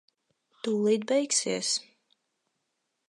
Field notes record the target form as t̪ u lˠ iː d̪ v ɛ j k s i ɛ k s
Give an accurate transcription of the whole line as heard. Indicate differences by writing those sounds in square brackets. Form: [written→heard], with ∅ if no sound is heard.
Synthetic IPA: t̪ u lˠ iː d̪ [v→b] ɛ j k s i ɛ [k→∅] s